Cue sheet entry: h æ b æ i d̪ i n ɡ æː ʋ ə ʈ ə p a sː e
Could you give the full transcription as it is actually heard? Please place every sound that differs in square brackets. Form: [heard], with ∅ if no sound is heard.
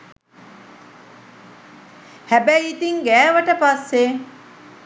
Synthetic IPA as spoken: h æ b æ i [t̪] i [ŋ] ɡ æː ʋ ə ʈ ə p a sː e